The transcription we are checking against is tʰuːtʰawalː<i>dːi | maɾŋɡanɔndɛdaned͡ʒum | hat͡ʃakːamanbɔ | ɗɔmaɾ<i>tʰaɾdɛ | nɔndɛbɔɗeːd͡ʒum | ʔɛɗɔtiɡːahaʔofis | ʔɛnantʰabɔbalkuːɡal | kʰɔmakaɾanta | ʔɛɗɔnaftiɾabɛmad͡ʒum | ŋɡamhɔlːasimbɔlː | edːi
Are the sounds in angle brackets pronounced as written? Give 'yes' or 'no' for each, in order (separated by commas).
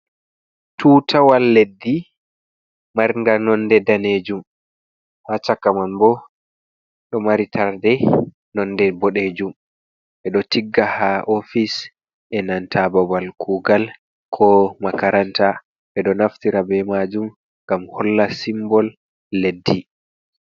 no, yes